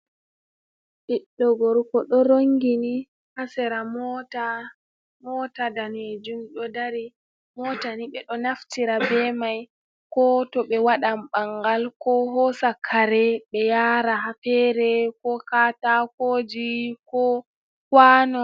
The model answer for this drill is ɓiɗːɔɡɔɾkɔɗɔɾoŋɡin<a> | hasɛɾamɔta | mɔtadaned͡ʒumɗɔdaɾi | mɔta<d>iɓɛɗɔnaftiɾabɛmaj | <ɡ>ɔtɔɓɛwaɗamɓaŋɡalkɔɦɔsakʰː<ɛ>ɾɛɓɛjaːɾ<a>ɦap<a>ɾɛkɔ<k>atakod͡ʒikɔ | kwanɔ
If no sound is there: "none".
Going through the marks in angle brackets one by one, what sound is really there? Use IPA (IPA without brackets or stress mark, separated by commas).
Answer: i, n, k, a, a, ɛ, k